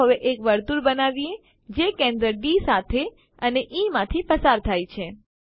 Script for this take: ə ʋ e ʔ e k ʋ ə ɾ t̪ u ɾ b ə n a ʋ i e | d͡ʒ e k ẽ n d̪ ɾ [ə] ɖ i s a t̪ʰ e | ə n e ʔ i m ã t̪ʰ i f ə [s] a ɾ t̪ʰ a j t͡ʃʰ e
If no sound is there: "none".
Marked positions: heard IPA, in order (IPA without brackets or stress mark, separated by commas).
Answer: ə, s